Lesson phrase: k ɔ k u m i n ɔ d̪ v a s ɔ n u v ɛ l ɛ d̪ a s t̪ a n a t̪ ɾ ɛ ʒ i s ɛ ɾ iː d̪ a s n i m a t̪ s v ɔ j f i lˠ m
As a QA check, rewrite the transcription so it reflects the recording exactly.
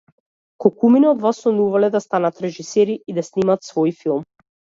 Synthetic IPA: k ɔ k u m i n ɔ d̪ v a s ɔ n u v a l ɛ d̪ a s t̪ a n a t̪ ɾ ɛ ʒ i s ɛ ɾ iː d̪ a s n i m a t̪ s v ɔ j f i lˠ m